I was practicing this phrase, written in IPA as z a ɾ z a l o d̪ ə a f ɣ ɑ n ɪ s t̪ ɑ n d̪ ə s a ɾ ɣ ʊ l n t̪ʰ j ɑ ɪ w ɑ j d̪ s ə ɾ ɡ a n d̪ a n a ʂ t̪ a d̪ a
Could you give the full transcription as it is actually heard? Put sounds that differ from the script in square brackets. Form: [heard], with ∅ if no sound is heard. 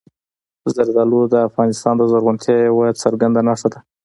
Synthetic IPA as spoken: z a ɾ z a l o d̪ ə a f ɣ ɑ n ɪ s t̪ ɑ n d̪ ə [z] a ɾ ɣ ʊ [∅] n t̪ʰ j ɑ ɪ w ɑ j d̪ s ə ɾ ɡ a n d̪ a n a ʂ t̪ a d̪ a

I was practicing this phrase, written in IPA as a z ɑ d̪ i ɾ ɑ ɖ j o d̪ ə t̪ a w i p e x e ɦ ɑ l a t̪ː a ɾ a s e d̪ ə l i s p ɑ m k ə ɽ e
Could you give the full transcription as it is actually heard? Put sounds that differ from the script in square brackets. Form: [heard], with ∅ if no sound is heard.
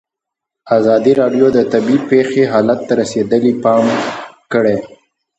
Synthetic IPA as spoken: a z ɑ d̪ i ɾ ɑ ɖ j o d̪ ə t̪ a [b] i p e x e ɦ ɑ l a t̪ː a ɾ a s e d̪ ə l i [∅] p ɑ m k ə ɽ e

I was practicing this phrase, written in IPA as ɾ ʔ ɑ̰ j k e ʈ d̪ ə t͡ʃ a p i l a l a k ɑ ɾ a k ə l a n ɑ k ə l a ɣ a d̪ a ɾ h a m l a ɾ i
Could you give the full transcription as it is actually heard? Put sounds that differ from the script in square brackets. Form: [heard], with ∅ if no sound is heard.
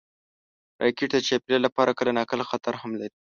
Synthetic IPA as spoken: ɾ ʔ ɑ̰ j k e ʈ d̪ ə t͡ʃ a p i l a l a [p] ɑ ɾ a k ə l a n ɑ k ə l a [x] a [t̪] a ɾ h a m l a ɾ i

